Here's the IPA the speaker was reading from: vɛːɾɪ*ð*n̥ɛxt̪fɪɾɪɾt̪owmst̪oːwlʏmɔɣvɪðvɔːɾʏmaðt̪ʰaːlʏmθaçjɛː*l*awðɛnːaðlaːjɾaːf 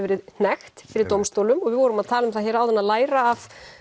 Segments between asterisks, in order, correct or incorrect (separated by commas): correct, incorrect